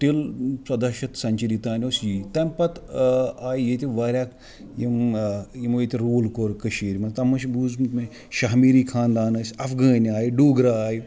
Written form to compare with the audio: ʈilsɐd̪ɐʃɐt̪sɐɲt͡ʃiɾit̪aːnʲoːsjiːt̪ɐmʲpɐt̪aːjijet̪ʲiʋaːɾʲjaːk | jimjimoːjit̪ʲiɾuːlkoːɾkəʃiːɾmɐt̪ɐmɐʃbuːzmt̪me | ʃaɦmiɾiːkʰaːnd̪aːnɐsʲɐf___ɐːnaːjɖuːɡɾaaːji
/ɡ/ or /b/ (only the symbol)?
ɡ